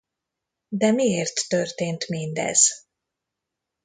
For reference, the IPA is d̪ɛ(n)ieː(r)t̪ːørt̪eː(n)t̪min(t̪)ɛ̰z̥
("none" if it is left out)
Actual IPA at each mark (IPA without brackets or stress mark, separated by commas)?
m, r, n, d̪